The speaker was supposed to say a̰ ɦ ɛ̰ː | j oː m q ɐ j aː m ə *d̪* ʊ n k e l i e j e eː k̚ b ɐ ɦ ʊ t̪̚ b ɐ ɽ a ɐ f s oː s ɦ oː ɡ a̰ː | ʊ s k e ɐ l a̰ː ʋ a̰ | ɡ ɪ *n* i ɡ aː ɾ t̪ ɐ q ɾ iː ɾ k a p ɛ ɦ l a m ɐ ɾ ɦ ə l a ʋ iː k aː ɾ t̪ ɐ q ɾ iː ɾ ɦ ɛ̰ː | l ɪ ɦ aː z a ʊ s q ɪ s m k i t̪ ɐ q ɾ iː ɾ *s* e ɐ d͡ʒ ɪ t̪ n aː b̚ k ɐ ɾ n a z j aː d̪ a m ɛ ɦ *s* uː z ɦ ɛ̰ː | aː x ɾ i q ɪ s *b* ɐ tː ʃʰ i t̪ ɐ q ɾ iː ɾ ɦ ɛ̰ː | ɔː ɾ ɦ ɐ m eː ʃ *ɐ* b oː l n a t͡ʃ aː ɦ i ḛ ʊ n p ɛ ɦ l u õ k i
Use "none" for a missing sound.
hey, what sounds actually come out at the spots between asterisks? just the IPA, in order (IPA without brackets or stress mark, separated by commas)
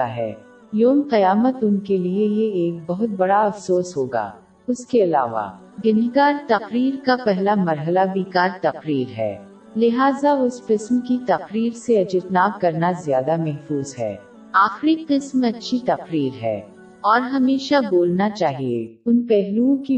t̪, n, s, f, m, a